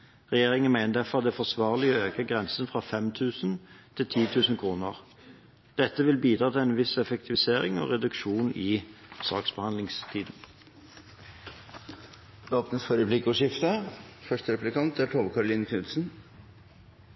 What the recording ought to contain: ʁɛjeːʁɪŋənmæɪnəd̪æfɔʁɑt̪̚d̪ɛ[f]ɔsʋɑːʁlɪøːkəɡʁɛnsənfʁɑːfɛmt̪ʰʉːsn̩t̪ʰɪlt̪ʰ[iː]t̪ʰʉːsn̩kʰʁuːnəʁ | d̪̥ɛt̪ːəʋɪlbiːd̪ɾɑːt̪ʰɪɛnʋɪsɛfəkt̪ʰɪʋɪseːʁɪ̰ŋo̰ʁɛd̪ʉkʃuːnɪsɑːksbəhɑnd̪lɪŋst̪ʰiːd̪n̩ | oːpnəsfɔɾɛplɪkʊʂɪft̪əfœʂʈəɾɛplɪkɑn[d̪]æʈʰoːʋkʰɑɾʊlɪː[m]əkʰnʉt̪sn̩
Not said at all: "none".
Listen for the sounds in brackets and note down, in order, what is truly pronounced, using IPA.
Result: f, iː, t̪, n

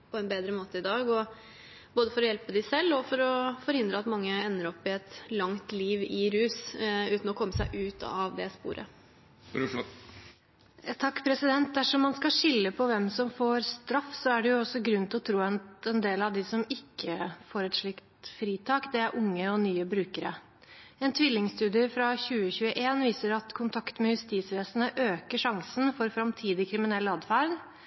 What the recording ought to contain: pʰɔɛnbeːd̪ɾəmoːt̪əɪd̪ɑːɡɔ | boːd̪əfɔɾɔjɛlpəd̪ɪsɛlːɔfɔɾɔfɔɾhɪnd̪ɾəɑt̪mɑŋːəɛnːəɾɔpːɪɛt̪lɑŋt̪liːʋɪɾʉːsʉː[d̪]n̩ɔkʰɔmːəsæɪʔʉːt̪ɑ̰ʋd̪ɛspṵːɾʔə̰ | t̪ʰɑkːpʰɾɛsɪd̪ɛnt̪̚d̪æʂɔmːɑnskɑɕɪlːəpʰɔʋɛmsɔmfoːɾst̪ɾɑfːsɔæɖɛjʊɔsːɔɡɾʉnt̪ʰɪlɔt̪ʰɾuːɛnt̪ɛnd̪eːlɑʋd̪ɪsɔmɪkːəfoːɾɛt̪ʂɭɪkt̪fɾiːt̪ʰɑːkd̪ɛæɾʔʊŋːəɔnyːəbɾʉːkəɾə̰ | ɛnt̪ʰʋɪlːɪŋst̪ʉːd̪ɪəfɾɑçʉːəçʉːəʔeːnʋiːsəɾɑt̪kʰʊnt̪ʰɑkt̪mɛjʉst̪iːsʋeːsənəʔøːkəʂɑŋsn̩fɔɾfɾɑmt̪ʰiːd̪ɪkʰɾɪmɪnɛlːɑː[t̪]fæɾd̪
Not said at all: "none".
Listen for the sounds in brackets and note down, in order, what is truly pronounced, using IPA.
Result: t̪, d̪

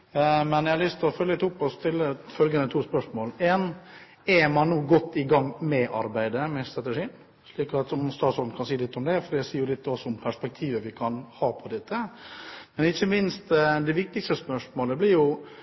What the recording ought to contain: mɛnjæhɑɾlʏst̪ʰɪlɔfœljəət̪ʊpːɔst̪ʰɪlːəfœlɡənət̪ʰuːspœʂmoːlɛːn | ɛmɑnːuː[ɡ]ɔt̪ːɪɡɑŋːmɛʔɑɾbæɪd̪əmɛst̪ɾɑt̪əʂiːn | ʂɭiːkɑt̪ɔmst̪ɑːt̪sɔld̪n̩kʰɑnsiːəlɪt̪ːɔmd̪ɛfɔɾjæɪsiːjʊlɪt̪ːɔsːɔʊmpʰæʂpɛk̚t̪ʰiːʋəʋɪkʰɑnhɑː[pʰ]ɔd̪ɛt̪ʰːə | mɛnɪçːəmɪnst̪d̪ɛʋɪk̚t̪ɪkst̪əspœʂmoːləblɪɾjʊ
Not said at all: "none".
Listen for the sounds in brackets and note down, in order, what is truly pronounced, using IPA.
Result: ɡ, pʰ

